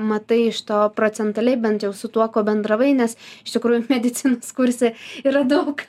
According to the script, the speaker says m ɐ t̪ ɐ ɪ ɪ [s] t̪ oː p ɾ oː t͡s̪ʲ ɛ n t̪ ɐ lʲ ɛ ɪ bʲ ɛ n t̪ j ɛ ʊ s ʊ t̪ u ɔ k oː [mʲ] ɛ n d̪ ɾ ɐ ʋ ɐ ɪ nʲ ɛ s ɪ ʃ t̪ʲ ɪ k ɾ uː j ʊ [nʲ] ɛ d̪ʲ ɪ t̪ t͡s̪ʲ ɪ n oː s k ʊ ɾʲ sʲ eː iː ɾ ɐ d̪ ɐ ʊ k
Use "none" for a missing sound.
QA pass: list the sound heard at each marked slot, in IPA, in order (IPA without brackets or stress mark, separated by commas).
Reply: ʃ, bʲ, mʲ